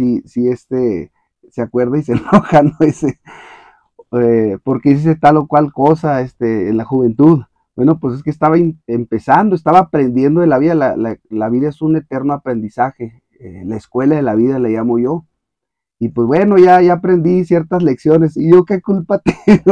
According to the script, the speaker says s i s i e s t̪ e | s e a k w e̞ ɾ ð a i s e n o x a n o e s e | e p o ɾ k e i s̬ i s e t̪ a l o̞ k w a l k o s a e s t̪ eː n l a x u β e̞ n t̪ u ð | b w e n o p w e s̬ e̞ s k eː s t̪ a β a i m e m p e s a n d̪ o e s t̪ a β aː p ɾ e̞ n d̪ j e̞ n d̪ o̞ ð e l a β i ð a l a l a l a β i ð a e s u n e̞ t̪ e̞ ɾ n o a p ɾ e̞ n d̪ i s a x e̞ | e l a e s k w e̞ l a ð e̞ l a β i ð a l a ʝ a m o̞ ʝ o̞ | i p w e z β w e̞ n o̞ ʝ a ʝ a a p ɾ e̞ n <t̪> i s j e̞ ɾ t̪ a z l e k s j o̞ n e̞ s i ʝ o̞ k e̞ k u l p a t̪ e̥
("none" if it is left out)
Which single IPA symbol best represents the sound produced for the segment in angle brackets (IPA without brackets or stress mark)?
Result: d̪